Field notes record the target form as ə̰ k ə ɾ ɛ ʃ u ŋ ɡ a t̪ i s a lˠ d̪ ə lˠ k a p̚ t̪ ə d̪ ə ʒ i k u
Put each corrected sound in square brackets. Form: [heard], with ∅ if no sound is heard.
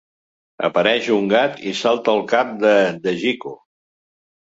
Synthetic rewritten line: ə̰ [p] ə ɾ ɛ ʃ u ŋ ɡ a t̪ i s a lˠ [t̪] ə lˠ k a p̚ [d̪] ə d̪ ə ʒ i k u